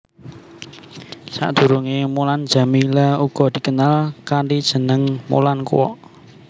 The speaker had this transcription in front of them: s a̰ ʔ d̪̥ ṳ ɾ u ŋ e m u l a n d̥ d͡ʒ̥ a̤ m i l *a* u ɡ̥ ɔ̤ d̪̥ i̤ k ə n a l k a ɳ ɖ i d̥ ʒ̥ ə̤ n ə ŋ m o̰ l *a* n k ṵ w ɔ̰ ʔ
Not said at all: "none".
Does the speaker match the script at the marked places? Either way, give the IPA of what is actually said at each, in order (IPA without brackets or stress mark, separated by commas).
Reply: a, a